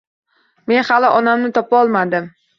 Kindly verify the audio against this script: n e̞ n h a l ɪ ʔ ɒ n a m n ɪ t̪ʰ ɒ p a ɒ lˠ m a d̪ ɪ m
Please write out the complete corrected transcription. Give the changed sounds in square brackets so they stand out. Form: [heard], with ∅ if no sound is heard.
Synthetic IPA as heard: [m] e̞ n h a l ɪ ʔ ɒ n a m n ɪ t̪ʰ ɒ p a ɒ lˠ m a d̪ ɪ m